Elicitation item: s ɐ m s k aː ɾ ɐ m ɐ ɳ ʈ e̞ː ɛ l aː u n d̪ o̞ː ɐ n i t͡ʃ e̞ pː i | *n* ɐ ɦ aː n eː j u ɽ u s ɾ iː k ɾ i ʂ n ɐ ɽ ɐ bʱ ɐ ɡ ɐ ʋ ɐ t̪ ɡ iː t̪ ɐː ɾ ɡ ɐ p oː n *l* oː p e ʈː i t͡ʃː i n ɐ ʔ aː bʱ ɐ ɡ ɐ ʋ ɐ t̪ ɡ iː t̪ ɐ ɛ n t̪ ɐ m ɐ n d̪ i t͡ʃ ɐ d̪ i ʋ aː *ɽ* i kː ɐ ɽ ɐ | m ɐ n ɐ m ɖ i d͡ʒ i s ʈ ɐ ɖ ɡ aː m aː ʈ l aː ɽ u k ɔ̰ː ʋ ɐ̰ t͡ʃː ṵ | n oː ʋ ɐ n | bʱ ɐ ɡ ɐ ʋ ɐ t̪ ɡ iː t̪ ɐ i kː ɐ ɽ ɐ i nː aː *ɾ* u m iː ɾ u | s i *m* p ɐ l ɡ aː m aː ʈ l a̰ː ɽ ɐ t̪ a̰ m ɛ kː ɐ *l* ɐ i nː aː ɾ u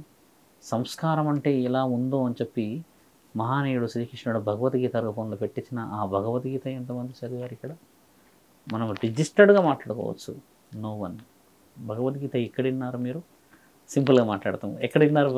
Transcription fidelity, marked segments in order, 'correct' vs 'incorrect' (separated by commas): incorrect, correct, incorrect, correct, correct, incorrect